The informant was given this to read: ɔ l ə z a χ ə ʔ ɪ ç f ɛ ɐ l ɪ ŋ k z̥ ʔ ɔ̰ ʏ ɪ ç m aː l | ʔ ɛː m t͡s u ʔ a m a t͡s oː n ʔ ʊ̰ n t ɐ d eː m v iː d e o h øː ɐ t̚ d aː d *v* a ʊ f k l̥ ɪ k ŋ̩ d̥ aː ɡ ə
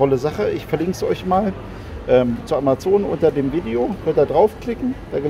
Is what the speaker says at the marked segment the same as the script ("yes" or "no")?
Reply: no